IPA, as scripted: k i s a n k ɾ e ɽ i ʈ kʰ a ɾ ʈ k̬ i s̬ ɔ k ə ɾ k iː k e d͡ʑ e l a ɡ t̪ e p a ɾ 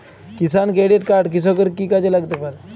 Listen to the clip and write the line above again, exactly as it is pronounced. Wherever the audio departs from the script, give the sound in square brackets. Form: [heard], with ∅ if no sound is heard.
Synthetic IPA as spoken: k i s a n k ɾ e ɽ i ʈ [k] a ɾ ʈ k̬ i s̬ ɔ k ə ɾ k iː k [a] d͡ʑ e l a ɡ t̪ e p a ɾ